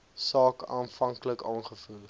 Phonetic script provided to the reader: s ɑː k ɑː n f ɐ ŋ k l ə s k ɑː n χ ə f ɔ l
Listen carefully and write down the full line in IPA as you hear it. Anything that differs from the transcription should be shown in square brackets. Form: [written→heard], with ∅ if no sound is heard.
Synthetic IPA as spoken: s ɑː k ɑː n f ɐ ŋ k l ə [s→∅] k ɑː n χ ə f [ɔ→u] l